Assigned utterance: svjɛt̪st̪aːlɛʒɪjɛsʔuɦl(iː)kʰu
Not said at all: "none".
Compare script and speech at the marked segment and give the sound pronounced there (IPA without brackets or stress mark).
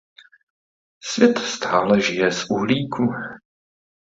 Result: iː